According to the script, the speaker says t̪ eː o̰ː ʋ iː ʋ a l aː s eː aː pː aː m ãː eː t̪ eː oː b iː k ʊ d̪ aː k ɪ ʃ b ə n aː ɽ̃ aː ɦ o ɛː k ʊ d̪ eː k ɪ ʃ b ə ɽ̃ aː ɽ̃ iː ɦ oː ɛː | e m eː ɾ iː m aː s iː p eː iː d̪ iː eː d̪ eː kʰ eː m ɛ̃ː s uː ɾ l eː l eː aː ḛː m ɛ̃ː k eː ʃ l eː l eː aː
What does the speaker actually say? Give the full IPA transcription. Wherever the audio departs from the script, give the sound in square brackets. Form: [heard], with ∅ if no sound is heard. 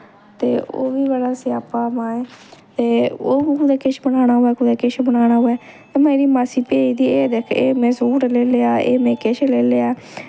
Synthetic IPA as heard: t̪ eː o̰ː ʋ iː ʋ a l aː s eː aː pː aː m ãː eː t̪ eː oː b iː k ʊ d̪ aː k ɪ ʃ b ə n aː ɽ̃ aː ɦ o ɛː k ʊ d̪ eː k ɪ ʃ b ə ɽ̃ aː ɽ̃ [aː] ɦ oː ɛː | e m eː ɾ iː m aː s iː p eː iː d̪ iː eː d̪ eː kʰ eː m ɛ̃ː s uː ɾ l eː l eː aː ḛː m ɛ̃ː k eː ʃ l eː l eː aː